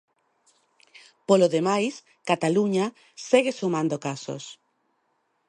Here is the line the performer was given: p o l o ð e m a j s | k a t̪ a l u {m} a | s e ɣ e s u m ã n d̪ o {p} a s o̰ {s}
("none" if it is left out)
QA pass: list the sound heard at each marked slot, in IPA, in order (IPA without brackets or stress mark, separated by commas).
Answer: ɲ, k, s